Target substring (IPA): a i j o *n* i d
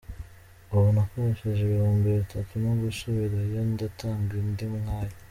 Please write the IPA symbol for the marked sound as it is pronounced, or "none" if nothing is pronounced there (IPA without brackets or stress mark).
n